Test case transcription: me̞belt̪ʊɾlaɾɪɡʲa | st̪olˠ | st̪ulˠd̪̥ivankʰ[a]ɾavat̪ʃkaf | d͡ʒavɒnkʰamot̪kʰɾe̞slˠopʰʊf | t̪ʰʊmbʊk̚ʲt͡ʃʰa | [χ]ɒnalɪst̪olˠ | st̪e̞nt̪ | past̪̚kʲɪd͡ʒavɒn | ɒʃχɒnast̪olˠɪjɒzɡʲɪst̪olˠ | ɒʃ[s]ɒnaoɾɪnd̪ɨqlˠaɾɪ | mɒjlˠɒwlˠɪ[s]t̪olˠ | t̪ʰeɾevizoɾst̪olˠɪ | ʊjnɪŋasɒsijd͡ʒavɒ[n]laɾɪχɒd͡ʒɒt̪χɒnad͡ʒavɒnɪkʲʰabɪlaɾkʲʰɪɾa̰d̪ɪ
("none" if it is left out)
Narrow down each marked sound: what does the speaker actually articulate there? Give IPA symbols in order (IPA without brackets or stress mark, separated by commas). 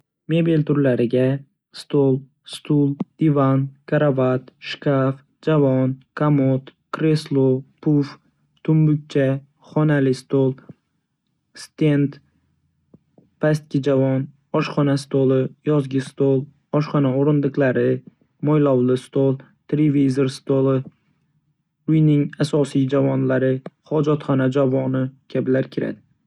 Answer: a, χ, χ, s, n